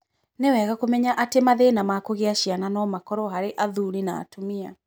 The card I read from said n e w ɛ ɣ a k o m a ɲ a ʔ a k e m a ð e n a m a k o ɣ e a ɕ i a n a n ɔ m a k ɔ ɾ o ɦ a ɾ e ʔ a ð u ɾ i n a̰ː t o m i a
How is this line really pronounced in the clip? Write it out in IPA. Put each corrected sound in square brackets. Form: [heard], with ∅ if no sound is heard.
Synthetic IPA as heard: n e w ɛ ɣ a k o m [ɛ] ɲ a ʔ a [t] e m a ð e n a m a k o ɣ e a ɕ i a n a n ɔ m a k ɔ ɾ [ɔ] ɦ a ɾ e ʔ a ð u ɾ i n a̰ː t o m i a